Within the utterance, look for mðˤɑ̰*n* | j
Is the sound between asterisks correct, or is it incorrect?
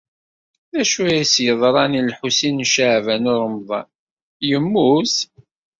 correct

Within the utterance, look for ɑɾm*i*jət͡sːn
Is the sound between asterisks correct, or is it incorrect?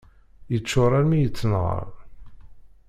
correct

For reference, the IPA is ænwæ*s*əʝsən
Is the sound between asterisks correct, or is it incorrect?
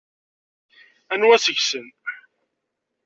correct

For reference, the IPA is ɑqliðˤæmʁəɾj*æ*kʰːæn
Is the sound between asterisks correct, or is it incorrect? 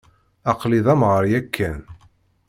correct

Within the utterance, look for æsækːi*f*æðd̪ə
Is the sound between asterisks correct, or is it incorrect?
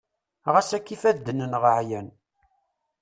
correct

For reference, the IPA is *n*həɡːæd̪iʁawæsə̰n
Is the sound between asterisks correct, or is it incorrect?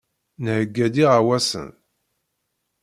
correct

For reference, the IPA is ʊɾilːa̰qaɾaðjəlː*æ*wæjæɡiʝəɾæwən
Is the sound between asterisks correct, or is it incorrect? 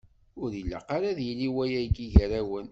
incorrect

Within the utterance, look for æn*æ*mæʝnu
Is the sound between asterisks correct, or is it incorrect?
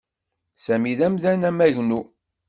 correct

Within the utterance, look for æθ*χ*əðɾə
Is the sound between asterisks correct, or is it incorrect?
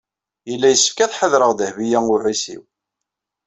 incorrect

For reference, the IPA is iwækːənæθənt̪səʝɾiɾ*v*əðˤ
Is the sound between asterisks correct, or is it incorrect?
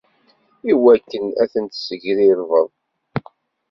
correct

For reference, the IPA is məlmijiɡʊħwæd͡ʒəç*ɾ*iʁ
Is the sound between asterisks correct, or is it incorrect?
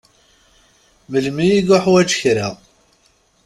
correct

